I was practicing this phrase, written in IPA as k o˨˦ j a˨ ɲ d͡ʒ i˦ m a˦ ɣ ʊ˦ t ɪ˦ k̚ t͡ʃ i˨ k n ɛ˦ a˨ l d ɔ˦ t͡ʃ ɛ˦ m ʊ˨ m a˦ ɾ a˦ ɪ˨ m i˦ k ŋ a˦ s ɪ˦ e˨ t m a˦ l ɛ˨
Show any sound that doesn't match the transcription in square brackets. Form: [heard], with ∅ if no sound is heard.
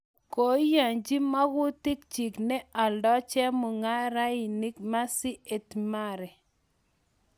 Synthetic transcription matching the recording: k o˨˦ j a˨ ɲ d͡ʒ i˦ m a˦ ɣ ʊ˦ t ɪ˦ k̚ t͡ʃ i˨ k n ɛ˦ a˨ l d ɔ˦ t͡ʃ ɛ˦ m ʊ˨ [ŋ] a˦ ɾ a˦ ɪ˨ [n] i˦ k [m] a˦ s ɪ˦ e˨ t m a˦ [ɾ] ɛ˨